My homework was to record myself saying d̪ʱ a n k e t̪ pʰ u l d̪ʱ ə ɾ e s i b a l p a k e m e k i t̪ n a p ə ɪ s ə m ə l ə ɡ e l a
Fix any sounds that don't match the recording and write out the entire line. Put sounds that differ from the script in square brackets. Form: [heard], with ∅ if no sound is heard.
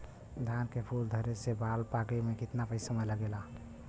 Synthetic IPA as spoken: d̪ʱ a n k e [∅] pʰ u l d̪ʱ ə ɾ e s [e] b a l p a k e m e k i t̪ n a p ə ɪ s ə m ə l ə ɡ e l a